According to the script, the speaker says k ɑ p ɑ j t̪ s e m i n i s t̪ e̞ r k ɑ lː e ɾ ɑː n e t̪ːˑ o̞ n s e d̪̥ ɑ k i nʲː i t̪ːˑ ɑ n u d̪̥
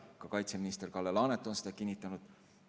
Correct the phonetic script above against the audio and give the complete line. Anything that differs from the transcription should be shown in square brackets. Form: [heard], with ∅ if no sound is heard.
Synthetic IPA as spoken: k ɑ [k] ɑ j t̪ s e m i n i s t̪ e̞ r k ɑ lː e [l] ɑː n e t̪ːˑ o̞ n s e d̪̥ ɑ k i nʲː i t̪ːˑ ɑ n u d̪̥